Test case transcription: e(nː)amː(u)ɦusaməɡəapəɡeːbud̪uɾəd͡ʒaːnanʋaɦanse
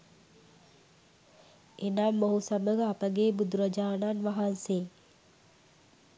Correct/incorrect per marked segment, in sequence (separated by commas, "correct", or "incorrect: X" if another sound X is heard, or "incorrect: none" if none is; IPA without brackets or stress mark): incorrect: n, incorrect: o